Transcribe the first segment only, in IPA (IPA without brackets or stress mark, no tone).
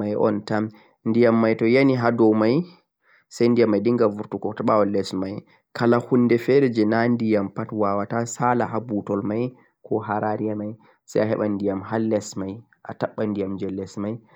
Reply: a